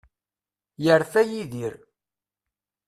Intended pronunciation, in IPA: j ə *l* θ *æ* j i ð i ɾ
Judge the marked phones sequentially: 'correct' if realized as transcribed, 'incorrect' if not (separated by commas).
incorrect, correct